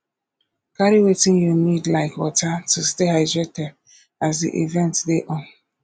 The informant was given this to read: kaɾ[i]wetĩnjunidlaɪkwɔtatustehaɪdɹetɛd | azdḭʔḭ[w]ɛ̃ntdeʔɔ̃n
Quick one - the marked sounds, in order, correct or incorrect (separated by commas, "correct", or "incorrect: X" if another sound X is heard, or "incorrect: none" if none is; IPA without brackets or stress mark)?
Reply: correct, incorrect: v